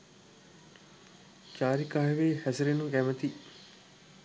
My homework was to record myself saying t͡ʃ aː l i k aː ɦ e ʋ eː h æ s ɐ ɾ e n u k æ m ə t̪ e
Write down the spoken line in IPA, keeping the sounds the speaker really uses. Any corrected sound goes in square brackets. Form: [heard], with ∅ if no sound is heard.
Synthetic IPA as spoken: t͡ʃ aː [ɾ] i k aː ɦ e ʋ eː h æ s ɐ ɾ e n u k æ m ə t̪ [i]